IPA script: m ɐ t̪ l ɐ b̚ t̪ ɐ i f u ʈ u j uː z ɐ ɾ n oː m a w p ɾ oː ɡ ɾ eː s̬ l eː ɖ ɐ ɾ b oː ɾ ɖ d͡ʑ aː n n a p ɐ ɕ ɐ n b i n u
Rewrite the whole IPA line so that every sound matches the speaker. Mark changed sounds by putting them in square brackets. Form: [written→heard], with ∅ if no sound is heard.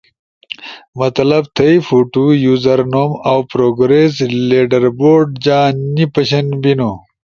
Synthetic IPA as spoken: m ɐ t̪ l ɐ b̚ [t̪→t̪ʰ] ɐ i f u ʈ u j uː z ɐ ɾ n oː m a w p ɾ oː ɡ ɾ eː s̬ l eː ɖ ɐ ɾ b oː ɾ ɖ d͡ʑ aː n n [a→i] p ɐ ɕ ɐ n b i n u